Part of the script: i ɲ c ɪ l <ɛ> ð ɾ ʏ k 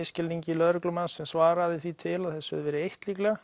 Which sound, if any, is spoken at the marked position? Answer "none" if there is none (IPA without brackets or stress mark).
œ